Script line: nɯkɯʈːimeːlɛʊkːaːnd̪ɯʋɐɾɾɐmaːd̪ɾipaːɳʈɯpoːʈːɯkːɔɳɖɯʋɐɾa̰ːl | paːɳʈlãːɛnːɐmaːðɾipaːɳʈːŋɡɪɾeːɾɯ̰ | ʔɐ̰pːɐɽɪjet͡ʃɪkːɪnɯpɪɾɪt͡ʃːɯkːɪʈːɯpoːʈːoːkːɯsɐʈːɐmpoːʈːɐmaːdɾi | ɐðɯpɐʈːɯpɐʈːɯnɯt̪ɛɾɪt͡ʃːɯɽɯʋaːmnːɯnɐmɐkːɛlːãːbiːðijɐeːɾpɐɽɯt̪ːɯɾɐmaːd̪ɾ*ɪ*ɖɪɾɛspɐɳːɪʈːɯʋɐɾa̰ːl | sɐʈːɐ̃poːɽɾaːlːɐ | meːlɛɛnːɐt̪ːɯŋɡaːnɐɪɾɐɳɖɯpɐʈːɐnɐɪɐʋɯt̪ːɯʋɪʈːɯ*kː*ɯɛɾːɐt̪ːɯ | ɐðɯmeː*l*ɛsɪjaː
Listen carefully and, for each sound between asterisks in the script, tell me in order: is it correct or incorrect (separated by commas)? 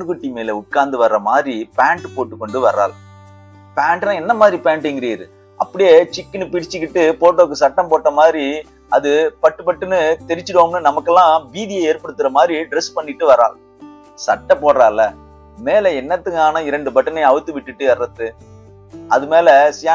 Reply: incorrect, incorrect, correct